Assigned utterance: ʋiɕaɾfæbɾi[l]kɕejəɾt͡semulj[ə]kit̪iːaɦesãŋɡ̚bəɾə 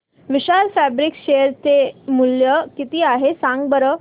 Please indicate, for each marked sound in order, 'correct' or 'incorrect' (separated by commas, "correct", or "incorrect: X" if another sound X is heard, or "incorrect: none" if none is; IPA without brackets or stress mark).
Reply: incorrect: none, correct